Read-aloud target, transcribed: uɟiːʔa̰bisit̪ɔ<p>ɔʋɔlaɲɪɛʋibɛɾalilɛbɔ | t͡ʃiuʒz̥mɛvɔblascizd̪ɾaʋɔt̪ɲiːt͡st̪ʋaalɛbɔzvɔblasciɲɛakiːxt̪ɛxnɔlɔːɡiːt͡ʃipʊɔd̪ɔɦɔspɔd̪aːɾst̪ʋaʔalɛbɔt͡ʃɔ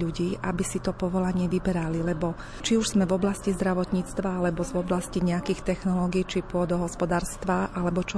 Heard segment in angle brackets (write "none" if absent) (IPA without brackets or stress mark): p